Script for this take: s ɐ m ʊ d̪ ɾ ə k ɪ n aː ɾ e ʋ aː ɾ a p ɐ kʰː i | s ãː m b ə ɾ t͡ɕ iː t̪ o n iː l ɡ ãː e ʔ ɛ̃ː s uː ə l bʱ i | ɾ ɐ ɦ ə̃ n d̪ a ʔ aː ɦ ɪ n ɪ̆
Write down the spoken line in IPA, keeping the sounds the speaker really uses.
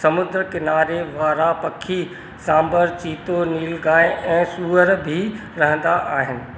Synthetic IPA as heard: s ɐ m ʊ d̪ ɾ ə k ɪ n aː ɾ e ʋ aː ɾ a p ɐ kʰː i | s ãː m b ə ɾ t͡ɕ iː t̪ o n iː l ɡ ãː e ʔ ɛ̃ː s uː ə ɾ bʱ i | ɾ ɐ ɦ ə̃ n d̪ a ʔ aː ɦ ɪ n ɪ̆